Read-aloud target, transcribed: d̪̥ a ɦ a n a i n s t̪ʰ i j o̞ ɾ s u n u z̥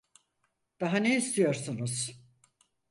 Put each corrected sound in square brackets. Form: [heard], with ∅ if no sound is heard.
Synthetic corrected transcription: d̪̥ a ɦ a n [e] i [∅] s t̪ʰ i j o̞ ɾ s u n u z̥